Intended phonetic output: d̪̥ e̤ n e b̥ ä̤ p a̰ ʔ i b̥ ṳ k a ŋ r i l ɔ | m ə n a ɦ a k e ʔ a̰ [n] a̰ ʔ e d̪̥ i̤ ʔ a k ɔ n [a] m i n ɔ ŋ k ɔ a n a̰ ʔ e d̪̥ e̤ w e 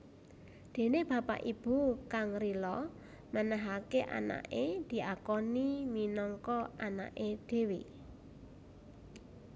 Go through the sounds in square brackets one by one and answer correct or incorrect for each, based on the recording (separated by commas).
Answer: correct, incorrect